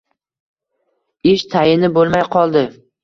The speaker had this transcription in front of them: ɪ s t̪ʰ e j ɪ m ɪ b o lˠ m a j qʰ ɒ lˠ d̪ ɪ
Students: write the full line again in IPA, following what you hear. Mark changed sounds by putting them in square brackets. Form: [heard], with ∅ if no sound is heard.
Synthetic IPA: ɪ [ʃ] t̪ʰ [a] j ɪ [n] ɪ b o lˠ m a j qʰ ɒ lˠ d̪ ɪ